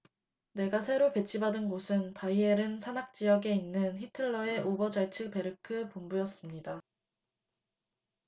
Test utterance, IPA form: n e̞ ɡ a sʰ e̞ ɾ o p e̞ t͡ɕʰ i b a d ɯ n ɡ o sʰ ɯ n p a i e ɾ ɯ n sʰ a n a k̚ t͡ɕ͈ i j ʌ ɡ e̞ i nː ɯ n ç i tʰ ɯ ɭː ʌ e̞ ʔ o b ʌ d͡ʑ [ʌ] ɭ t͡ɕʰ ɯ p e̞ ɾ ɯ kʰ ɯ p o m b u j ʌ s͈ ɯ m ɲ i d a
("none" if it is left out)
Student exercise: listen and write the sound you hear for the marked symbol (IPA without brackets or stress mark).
a